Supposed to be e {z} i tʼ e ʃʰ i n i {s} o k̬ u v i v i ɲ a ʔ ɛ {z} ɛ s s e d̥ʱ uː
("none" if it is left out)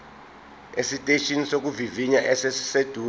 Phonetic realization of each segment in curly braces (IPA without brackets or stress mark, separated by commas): s, s, s